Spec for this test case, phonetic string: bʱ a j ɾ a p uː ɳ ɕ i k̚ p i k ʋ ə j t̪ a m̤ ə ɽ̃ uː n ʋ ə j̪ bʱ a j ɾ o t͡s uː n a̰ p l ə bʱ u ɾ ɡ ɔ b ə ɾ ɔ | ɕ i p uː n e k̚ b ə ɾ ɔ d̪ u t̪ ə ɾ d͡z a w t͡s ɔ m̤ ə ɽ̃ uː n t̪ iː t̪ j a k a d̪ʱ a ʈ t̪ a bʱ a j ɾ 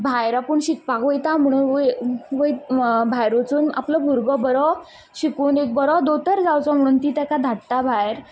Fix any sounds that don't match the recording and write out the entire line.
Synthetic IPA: bʱ a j ɾ a p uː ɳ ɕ i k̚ p a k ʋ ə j t̪ a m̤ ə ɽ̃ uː n ʋ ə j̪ bʱ a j ɾ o t͡s uː n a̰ p l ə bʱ u ɾ ɡ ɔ b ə ɾ ɔ | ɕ i k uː n e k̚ b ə ɾ ɔ d̪ o t̪ ə ɾ d͡z a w t͡s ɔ m̤ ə ɽ̃ uː n t̪ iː t̪ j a k a d̪ʱ a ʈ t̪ a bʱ a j ɾ

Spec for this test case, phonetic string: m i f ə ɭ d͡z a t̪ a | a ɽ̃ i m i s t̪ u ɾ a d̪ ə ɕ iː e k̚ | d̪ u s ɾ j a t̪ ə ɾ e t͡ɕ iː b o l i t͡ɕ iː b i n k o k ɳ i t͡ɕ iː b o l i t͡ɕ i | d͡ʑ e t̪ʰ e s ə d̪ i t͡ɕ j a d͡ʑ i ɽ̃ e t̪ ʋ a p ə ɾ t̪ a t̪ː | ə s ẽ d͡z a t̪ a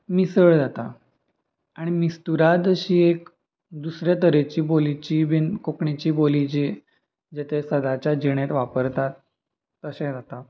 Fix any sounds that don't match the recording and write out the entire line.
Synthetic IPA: m i s ə ɭ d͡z a t̪ a | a ɽ̃ i m i s t̪ u ɾ a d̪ ə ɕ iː e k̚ | d̪ u s ɾ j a t̪ ə ɾ e t͡ɕ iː b o l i t͡ɕ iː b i n k o k ɳ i t͡ɕ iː b o l i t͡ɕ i | d͡ʑ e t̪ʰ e s ə d̪ a t͡ɕ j a d͡ʑ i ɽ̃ e t̪ ʋ a p ə ɾ t̪ a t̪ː | ə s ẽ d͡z a t̪ a

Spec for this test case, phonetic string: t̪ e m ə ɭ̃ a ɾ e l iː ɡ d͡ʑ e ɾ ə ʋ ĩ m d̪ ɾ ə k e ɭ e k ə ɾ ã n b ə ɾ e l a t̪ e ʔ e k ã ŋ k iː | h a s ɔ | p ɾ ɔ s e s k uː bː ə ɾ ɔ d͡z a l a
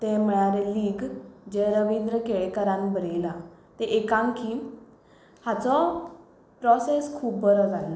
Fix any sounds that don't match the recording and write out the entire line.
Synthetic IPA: t̪ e m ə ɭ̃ a ɾ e l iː ɡ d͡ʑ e ɾ ə ʋ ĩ n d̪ ɾ ə k e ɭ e k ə ɾ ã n b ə ɾ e l a t̪ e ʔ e k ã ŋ k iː | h a t͡s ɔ | p ɾ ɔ s e s kʰ uː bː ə ɾ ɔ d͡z a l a

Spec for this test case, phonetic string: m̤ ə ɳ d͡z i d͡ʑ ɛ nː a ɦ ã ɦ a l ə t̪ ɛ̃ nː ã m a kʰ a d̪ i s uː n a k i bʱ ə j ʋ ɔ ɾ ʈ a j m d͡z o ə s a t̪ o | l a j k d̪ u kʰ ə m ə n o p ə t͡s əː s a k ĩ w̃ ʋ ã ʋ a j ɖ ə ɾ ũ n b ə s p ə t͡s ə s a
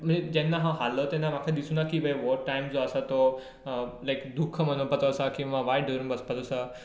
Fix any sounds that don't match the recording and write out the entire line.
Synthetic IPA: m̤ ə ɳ d͡z e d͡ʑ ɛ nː a ɦ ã ɦ a l ə t̪ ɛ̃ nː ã m a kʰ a d̪ i s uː n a k i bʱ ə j ʋ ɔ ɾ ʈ a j m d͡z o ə s a t̪ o | l a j k d̪ u kʰ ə m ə n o p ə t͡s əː s a k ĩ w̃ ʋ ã ʋ a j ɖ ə ɾ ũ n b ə s p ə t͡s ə s a

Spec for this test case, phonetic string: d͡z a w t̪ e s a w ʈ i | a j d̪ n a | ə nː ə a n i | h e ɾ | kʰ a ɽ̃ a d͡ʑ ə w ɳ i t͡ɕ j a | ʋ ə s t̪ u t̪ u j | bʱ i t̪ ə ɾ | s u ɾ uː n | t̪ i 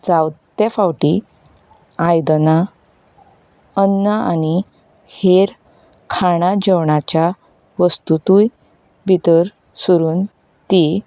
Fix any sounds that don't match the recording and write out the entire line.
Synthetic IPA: d͡z a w t̪ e f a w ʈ i | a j d̪ n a | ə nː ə a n i | h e ɾ | kʰ a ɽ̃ a d͡ʑ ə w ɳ a t͡ɕ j a | ʋ ə s t̪ u t̪ u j | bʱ i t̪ ə ɾ | s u ɾ uː n | t̪ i

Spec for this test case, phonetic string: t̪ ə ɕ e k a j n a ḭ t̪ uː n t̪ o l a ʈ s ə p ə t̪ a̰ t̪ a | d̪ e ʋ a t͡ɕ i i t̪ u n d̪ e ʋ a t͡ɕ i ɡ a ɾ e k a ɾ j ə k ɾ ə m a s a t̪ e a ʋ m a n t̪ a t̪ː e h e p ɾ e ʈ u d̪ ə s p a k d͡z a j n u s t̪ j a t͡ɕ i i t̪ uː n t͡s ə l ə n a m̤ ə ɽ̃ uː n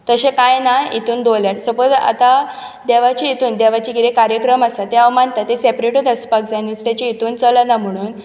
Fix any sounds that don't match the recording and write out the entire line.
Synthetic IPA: t̪ ə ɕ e k a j n a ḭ t̪ uː n d̪ o l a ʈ s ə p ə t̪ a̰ t̪ a | d̪ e ʋ a t͡ɕ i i t̪ uː n d̪ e ʋ a t͡ɕ i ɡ i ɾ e k a ɾ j ə k ɾ ə m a s a t̪ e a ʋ m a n t̪ a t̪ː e s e p ɾ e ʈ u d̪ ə s p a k d͡z a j n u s t̪ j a t͡ɕ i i t̪ uː n t͡s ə l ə n a m̤ ə ɽ̃ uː n

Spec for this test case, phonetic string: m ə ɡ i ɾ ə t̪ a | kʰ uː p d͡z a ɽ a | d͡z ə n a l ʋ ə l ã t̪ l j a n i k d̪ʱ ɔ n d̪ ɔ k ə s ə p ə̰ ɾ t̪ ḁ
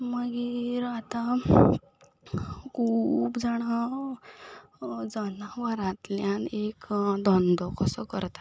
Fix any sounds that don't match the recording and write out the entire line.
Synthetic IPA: m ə ɡ i ɾ a t̪ a | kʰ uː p d͡z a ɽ a | d͡z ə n a ʋ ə ɾ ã t̪ l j a n e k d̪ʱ ɔ n d̪ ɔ k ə s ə k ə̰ ɾ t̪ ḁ

